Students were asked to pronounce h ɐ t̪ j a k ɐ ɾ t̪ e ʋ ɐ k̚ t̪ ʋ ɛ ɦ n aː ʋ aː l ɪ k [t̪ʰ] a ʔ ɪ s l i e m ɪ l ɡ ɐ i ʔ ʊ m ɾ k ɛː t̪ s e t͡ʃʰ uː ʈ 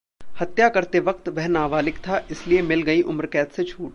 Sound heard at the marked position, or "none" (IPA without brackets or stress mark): t̪ʰ